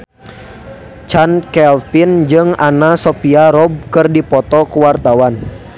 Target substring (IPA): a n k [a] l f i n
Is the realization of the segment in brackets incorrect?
yes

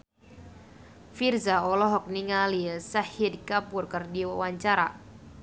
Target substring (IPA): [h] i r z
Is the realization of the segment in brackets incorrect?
yes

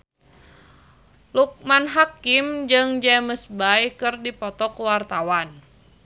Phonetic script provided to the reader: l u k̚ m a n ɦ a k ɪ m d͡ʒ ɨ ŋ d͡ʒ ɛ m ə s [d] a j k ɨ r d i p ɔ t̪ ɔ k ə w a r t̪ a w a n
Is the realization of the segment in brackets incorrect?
yes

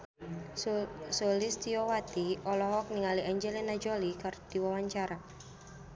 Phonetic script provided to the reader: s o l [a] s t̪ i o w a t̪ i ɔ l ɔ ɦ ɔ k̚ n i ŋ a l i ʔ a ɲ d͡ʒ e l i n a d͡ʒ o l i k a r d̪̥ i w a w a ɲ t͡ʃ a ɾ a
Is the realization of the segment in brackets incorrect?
yes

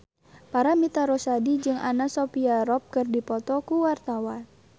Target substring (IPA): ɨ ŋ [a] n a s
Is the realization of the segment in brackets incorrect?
no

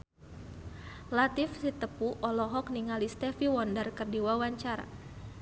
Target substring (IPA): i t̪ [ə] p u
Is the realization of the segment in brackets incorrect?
no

